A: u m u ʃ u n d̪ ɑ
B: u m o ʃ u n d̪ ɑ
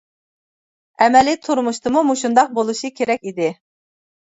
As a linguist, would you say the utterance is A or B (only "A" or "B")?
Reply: A